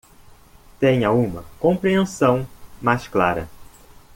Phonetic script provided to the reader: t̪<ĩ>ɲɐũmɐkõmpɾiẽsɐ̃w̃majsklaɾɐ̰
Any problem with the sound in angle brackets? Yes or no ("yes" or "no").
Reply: yes